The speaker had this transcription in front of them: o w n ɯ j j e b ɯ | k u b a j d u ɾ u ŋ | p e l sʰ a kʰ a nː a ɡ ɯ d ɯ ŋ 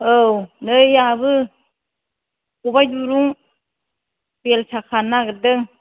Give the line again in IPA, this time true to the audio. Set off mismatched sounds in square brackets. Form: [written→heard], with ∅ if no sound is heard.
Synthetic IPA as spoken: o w n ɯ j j [e→a] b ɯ | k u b a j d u ɾ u ŋ | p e l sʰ a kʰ a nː a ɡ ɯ d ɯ ŋ